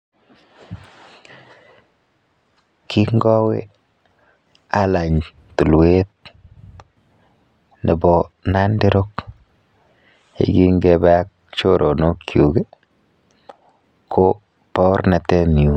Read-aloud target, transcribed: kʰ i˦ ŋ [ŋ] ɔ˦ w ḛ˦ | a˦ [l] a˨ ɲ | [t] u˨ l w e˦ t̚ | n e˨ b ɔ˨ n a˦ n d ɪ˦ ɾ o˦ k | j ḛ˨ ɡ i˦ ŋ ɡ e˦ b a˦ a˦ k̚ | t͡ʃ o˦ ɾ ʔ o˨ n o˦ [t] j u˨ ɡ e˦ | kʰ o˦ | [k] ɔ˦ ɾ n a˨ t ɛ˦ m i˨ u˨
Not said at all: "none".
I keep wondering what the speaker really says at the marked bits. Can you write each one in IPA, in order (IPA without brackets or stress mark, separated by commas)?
ɡ, l, t, k, p